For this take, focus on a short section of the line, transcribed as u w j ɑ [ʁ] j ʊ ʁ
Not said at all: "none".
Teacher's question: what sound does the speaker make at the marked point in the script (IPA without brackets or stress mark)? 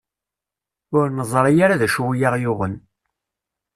ʁ